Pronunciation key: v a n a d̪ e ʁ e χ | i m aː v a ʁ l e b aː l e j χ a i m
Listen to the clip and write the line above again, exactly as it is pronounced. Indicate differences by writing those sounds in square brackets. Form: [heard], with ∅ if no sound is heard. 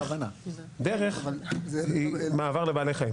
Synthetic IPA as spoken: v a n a d̪ e ʁ e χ | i m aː v a ʁ l e b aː l e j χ a i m